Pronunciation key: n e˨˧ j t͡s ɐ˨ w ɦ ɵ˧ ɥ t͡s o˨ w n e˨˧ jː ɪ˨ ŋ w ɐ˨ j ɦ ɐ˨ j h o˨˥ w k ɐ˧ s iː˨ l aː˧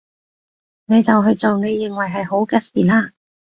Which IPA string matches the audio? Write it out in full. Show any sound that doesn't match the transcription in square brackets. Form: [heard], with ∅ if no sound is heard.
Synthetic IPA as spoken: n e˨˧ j t͡s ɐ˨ w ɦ ɵ˧ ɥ t͡s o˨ w n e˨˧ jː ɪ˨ ŋ w ɐ˨ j ɦ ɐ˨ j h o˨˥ w k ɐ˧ s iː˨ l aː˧